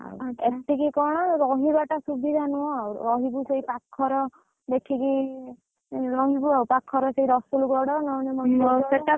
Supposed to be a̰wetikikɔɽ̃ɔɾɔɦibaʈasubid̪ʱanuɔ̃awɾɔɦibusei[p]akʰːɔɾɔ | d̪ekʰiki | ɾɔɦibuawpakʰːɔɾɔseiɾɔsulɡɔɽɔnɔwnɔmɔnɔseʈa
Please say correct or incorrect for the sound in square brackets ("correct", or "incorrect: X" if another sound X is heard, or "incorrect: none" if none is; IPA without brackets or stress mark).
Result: correct